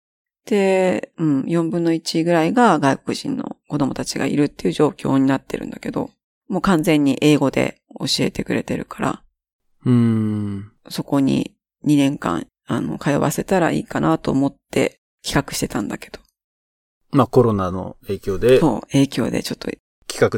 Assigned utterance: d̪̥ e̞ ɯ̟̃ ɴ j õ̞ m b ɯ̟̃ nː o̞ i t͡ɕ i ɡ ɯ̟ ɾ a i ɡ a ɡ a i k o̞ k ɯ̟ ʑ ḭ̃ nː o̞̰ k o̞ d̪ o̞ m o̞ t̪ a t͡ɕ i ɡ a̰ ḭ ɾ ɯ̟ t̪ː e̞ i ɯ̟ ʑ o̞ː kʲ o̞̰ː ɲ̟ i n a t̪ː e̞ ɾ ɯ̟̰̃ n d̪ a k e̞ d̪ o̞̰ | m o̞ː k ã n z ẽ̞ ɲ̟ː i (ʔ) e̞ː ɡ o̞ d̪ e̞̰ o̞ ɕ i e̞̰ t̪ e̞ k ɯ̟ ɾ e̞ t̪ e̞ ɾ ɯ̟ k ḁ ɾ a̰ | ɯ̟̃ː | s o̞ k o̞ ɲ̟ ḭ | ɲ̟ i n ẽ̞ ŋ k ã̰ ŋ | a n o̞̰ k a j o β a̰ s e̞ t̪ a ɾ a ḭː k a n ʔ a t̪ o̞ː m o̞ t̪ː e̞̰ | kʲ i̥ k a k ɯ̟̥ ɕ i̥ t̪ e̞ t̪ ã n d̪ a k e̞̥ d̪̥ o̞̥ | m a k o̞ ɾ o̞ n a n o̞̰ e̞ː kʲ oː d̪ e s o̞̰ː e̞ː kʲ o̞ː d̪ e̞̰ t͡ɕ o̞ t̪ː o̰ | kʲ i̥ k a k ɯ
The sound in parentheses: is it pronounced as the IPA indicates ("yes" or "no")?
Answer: yes